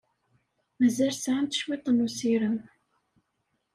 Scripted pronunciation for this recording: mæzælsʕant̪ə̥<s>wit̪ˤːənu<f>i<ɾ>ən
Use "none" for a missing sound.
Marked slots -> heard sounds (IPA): ʃ, s, ɾ

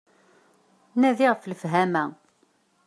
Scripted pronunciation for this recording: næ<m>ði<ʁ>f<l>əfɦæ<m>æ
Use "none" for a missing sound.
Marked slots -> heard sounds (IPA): none, ʁ, l, m

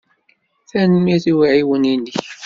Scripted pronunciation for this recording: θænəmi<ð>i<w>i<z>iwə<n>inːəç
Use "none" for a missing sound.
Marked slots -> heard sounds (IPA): θ, w, ʕ, n

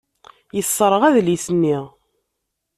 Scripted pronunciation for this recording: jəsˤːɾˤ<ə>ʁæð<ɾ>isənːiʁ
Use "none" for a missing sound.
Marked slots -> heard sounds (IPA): ə, l

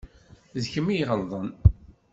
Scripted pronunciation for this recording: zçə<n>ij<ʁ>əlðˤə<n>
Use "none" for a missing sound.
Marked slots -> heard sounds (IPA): m, ʁ, n

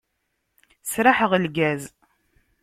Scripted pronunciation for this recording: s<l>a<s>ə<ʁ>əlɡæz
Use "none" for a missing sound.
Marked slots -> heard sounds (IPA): ɾ, ħ, ʁ

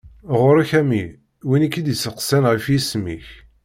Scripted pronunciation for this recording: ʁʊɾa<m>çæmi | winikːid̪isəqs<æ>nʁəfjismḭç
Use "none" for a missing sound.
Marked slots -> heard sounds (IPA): none, æ

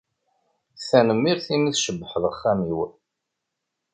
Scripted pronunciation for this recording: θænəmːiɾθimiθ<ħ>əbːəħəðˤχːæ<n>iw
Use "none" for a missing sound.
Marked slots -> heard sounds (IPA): ʃ, m

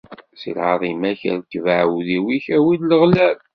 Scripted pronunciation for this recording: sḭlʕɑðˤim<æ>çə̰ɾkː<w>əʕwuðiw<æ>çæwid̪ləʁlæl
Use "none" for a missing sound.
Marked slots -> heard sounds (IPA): æ, v, i

